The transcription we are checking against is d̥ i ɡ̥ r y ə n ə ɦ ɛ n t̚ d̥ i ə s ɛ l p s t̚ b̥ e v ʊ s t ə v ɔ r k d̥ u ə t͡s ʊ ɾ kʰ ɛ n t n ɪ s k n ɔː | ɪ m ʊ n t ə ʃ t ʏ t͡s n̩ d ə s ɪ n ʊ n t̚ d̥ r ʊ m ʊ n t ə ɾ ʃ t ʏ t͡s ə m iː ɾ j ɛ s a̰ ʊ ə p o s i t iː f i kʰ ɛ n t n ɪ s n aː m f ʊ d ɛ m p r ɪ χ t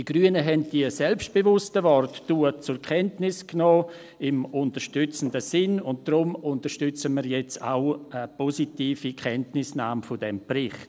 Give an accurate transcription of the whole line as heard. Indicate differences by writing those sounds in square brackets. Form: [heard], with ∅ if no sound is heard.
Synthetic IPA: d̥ i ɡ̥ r y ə n ə ɦ ɛ n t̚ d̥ i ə s ɛ l p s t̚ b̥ e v ʊ s t ə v ɔ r [t] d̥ u ə t͡s ʊ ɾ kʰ ɛ n t n ɪ s k n ɔː | ɪ m ʊ n t ə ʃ t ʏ t͡s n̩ d ə s ɪ n ʊ n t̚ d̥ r ʊ m ʊ n t ə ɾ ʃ t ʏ t͡s ə m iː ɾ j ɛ [t͡s] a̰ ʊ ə p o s i t iː f i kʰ ɛ n t n ɪ s n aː m f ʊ d ɛ m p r ɪ χ t